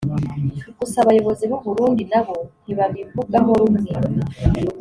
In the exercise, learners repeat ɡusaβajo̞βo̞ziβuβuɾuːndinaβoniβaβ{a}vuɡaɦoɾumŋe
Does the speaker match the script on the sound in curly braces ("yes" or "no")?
no